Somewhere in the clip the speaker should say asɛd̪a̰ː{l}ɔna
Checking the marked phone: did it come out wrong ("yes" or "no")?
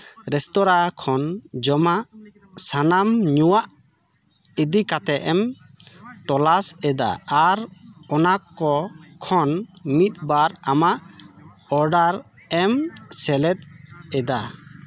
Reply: yes